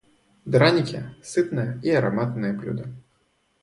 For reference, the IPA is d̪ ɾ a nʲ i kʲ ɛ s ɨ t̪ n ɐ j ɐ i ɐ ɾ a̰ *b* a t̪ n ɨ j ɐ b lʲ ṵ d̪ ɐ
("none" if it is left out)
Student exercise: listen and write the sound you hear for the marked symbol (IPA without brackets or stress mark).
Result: m